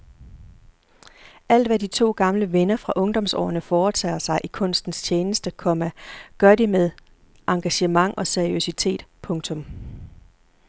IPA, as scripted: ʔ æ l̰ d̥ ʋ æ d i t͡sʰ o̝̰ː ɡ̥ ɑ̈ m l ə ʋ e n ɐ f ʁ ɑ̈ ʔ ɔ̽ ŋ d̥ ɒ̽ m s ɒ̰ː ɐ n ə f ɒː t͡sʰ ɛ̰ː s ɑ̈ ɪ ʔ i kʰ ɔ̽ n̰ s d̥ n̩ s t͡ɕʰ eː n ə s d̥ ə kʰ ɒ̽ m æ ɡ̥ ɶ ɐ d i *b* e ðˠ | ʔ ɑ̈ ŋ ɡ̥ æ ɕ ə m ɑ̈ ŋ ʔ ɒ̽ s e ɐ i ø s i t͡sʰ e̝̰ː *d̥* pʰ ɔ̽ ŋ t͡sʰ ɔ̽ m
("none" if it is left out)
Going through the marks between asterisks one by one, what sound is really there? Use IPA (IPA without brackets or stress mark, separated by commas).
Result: m, d̥